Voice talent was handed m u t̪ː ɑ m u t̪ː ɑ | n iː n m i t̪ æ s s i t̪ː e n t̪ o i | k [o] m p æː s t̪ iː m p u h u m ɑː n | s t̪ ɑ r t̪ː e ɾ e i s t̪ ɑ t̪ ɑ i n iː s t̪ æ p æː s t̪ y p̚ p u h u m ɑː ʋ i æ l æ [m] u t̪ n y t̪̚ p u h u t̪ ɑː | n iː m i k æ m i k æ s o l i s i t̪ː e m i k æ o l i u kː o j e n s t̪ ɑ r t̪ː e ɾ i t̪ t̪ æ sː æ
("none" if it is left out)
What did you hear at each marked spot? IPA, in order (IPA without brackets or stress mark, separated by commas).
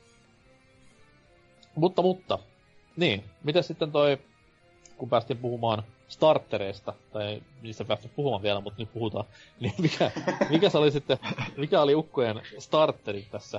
u, m